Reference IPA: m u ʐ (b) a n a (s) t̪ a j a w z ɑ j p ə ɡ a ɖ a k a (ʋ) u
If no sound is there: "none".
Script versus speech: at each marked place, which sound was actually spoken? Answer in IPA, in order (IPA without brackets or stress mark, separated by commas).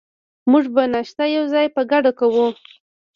b, ʃ, w